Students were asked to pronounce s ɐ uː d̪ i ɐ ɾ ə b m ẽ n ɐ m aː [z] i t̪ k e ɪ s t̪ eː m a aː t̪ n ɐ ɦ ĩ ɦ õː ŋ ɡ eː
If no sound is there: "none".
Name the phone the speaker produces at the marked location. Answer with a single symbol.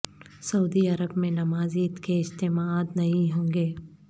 z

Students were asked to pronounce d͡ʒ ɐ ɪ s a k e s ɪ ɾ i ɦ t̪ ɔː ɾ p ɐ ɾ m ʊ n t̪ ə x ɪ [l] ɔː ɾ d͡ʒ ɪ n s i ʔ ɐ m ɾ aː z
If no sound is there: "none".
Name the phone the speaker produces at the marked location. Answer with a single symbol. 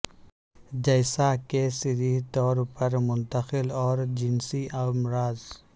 l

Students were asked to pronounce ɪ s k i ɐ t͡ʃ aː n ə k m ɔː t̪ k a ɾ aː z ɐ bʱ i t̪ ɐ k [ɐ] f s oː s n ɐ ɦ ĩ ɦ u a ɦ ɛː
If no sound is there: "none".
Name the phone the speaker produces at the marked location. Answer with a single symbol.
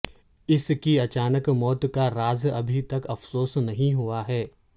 ɐ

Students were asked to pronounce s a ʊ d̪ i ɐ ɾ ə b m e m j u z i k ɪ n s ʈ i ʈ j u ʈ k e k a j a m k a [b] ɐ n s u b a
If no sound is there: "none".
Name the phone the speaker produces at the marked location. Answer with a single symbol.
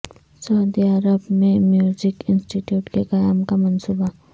m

